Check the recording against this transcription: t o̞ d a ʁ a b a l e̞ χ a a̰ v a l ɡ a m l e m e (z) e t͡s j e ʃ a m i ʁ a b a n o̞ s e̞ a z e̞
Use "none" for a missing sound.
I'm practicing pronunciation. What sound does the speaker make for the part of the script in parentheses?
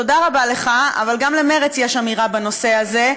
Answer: ʁ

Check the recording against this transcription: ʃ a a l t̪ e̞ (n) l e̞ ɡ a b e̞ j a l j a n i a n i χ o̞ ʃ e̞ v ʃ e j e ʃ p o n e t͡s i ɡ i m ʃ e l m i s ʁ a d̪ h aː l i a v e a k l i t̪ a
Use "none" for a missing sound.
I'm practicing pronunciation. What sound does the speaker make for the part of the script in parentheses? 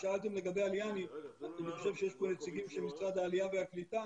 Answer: m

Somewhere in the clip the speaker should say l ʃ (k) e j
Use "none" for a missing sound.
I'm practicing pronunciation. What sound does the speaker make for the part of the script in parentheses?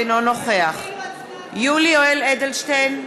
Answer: t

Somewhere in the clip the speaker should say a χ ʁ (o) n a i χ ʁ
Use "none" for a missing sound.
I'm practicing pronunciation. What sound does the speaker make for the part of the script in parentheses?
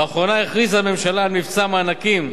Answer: o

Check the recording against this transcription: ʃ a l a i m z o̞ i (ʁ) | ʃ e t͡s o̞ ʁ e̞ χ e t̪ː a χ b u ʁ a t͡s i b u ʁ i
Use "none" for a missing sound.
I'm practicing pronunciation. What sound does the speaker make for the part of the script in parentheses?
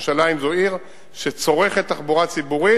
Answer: ʁ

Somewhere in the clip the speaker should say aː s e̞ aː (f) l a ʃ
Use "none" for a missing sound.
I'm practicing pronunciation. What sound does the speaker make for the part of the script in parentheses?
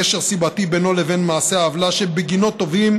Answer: v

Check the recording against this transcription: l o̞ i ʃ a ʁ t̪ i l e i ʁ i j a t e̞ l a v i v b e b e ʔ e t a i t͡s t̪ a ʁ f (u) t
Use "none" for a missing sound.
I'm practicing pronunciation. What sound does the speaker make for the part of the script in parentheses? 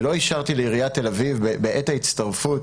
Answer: u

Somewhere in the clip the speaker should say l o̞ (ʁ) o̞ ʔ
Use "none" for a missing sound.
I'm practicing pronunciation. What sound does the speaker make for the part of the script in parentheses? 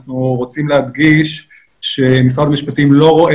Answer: ʁ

